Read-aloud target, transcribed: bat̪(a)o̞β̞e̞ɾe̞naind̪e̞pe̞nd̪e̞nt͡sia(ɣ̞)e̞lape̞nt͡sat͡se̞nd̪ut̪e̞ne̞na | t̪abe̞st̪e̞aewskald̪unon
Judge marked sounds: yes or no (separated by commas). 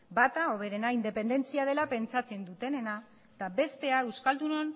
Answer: yes, no